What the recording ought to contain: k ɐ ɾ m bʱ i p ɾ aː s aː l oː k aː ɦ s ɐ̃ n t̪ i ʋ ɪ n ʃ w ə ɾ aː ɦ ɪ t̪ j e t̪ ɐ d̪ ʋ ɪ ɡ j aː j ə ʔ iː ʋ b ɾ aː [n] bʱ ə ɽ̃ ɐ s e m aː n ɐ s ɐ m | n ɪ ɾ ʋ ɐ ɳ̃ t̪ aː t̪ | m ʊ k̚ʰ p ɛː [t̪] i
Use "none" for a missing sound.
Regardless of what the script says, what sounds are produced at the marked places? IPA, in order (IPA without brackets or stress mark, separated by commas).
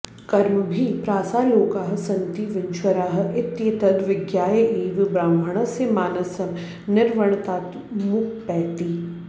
m, t̪